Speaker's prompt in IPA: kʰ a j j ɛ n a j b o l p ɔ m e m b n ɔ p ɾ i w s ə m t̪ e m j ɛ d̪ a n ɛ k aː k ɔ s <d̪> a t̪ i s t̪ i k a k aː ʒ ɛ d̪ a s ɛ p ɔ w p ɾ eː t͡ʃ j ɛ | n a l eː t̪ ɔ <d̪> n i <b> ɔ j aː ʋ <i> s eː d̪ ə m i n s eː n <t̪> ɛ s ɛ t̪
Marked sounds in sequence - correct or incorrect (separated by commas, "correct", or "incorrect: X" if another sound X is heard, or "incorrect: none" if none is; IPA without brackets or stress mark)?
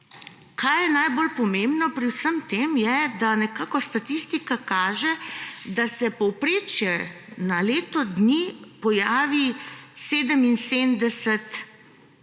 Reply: incorrect: t̪, correct, incorrect: p, correct, incorrect: d̪